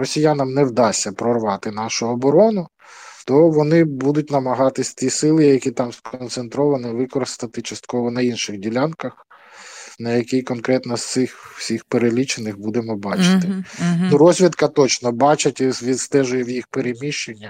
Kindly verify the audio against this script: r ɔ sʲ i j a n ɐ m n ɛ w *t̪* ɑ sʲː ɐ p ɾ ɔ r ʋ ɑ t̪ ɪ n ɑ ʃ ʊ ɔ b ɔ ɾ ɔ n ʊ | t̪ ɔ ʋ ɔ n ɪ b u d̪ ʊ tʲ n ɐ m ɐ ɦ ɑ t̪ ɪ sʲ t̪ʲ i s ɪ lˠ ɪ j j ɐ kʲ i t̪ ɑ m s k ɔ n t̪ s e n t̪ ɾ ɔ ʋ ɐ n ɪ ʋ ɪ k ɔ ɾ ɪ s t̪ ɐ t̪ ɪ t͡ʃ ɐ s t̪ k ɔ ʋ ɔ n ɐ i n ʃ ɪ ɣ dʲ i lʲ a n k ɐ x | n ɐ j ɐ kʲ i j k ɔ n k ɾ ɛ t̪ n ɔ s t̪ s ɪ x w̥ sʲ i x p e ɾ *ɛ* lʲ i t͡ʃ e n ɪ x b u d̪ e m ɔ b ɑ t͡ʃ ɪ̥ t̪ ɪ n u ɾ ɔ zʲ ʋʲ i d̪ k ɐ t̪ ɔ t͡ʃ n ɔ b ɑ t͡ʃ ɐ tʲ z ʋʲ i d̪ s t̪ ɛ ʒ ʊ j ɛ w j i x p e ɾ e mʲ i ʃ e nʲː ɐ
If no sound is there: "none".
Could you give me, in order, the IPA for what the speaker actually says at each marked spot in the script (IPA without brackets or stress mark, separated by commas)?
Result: d̪, e